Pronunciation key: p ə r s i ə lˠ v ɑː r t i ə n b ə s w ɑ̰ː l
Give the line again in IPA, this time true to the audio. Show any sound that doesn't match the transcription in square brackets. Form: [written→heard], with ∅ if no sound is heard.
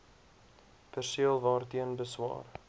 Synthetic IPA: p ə r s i ə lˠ v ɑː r t i ə n b ə s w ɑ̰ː [l→r]